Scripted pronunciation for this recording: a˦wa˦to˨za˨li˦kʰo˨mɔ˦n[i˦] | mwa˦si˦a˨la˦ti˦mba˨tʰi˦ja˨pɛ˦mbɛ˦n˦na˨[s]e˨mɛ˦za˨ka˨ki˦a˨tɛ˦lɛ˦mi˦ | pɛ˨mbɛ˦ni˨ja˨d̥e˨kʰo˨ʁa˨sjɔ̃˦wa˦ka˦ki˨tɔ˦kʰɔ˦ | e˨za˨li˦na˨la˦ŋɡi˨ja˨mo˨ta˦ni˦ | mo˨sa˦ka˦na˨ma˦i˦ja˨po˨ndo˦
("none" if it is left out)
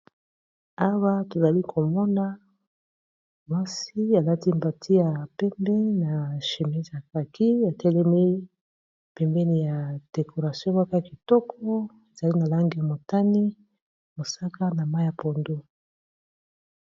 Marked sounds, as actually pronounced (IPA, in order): a˦, ʃ

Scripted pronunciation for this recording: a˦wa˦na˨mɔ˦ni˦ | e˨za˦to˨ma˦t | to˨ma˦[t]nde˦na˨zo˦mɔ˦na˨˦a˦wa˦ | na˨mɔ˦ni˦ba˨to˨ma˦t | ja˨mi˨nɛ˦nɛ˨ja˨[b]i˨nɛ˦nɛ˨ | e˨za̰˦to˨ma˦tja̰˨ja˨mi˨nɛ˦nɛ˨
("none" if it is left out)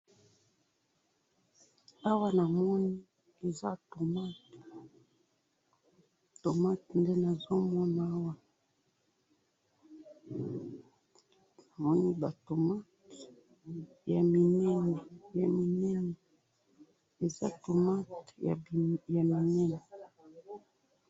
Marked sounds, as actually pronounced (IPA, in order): t, m

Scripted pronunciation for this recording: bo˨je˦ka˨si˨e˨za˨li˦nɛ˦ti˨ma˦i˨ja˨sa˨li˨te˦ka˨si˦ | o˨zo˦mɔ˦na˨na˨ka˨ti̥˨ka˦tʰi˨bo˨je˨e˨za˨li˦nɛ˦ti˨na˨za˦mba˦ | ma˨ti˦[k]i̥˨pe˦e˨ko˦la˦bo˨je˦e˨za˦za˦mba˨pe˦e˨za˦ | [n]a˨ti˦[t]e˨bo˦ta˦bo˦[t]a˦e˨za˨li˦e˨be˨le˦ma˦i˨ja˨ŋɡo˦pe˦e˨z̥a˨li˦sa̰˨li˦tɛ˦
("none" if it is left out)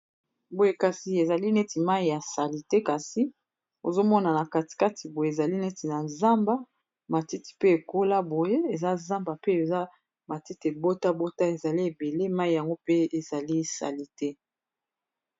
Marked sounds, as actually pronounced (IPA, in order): t, m, t, t

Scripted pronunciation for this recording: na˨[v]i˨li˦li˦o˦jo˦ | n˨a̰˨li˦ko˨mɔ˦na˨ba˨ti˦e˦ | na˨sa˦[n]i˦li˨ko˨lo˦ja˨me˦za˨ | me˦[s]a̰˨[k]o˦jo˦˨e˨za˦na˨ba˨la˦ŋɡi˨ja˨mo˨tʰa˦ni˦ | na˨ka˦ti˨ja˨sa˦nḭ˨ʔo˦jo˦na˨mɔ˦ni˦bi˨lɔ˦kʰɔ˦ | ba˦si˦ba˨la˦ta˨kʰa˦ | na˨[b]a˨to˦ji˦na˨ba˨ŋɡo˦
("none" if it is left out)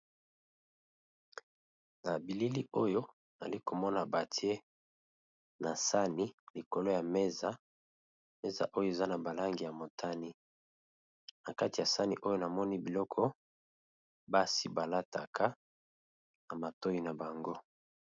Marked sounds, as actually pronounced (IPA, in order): b, n, z, ʔ, m

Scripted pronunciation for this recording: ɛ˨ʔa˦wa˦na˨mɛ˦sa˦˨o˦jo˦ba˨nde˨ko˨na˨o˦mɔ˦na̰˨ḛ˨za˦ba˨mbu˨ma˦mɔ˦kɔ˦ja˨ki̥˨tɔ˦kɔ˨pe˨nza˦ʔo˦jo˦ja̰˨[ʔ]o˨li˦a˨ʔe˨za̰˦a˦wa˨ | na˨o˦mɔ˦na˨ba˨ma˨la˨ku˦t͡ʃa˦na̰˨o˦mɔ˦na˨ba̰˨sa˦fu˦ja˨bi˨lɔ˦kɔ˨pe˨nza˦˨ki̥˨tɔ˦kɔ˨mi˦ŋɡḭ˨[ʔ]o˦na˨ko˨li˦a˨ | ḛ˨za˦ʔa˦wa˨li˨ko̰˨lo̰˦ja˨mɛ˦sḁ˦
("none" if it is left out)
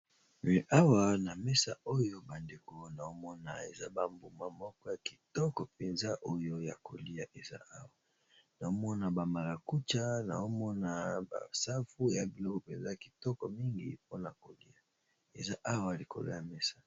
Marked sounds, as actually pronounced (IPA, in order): k, p

